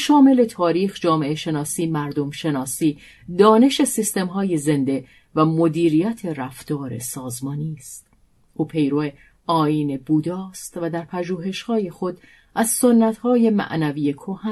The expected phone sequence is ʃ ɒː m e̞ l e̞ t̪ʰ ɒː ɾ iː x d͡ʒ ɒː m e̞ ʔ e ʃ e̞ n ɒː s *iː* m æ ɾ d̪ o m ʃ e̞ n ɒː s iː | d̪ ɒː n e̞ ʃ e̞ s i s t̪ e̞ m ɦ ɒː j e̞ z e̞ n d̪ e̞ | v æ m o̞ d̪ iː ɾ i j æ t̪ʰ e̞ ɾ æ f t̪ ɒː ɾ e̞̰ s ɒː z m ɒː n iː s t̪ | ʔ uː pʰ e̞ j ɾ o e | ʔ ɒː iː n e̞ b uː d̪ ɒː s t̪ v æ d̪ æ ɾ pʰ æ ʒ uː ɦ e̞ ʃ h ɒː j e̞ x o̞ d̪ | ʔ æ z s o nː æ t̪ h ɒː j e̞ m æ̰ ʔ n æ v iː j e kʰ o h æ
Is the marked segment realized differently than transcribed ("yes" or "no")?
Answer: no